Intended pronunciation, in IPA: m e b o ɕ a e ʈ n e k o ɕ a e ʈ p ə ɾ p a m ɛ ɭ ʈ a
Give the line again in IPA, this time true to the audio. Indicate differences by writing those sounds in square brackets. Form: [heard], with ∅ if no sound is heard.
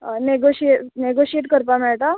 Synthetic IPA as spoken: [n] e [ɡ] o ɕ [i] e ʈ n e [ɡ] o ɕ [i] e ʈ [k] ə ɾ p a m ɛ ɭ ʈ a